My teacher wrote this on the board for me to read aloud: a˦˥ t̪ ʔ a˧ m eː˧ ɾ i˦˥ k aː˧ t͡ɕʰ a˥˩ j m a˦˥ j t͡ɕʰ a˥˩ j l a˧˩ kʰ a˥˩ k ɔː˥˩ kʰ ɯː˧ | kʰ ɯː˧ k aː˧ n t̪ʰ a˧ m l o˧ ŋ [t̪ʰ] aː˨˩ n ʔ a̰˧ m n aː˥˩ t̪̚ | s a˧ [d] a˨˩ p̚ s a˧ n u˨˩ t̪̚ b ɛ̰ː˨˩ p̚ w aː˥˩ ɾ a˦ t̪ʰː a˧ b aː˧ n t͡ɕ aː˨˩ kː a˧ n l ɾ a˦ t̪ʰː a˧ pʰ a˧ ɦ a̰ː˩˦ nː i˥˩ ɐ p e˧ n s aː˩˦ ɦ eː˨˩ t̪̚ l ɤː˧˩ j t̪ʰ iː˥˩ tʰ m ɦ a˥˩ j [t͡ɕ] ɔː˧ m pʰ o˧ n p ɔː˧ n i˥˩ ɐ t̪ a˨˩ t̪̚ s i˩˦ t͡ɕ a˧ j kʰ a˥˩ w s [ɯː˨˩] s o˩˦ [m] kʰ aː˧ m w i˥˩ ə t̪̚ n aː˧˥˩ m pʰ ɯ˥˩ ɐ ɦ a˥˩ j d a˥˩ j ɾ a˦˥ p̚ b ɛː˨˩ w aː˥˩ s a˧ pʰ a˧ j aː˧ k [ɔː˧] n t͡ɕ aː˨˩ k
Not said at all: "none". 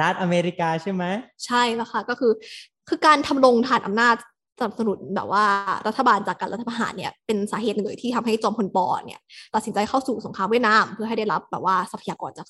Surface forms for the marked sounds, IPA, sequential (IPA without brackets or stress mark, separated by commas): t̪ʰ, n, t͡ɕ, uː˨˩, ŋ, ɔː˧